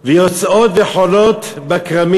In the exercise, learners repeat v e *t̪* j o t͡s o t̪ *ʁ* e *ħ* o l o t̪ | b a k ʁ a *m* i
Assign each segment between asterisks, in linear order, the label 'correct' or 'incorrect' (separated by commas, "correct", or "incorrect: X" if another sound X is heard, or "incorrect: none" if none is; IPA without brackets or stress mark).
incorrect: none, incorrect: v, correct, correct